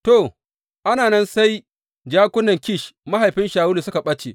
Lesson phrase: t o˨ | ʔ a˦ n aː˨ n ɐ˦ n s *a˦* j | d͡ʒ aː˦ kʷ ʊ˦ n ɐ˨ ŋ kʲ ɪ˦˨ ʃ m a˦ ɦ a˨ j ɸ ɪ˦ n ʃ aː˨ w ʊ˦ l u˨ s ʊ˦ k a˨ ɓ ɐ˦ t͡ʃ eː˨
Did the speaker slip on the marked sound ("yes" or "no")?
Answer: no